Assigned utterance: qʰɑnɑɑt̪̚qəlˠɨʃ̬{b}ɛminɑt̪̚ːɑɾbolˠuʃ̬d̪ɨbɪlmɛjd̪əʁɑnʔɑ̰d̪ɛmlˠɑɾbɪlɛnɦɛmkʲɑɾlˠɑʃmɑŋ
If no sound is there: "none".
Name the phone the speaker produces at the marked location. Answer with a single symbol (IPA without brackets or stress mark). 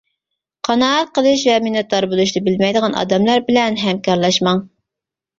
v